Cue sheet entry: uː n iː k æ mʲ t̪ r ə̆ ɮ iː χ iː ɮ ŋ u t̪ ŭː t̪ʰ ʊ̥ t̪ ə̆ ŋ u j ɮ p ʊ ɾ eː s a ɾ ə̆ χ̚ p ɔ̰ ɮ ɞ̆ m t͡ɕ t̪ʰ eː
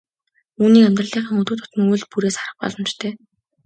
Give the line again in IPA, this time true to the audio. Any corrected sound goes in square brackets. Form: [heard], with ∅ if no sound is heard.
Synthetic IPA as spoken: uː n iː k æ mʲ t̪ r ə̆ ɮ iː χ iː [∅] ŋ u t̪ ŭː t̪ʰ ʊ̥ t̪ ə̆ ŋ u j ɮ p [u] ɾ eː s a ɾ ə̆ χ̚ p ɔ̰ ɮ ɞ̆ m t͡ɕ t̪ʰ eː